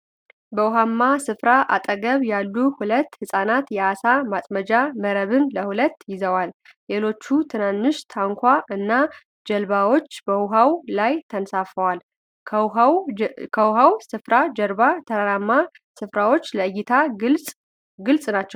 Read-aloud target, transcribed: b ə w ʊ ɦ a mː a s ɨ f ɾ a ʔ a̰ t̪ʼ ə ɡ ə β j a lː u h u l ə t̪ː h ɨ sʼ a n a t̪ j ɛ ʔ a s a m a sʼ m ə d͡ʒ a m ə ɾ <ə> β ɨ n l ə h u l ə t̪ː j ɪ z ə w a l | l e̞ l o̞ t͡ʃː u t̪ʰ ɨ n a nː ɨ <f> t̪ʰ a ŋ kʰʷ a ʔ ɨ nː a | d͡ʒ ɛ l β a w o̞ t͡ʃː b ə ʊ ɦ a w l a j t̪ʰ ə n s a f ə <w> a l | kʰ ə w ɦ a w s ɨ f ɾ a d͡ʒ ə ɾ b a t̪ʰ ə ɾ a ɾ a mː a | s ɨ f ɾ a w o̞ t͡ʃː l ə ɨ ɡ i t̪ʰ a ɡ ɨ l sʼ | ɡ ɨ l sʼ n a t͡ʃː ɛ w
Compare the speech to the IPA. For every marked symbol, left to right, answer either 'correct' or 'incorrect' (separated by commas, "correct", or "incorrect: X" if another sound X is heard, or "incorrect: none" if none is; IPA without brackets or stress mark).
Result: correct, incorrect: ʃ, correct